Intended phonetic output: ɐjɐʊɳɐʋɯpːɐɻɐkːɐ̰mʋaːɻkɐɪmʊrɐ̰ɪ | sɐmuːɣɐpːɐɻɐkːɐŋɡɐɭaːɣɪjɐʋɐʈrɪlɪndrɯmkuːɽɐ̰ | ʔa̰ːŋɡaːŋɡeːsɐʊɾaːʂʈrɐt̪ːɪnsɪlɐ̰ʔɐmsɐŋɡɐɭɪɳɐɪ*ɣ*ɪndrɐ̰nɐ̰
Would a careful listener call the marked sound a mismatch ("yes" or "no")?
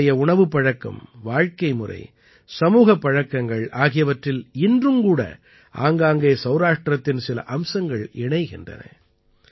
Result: no